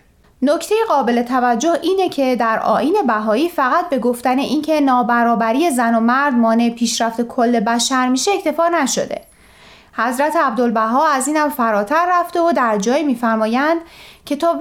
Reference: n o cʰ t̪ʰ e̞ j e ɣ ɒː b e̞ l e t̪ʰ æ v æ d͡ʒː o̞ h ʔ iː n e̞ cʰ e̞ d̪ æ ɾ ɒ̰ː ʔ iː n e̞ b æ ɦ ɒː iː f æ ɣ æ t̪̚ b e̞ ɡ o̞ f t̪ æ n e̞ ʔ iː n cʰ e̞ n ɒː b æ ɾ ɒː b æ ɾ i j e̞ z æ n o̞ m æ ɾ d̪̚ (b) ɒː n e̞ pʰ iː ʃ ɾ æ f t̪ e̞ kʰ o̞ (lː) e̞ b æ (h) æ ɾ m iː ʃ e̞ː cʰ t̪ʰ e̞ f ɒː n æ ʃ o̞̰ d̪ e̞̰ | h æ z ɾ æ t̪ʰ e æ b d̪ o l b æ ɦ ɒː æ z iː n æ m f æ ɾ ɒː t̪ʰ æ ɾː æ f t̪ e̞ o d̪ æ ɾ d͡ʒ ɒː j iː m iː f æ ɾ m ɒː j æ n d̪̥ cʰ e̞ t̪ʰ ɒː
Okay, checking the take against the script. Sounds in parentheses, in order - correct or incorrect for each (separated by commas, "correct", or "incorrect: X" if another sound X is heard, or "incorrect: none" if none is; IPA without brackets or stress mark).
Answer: incorrect: m, correct, incorrect: ʃ